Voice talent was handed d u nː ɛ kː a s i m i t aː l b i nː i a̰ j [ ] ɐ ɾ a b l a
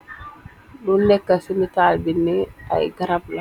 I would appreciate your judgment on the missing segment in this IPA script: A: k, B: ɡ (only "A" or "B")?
B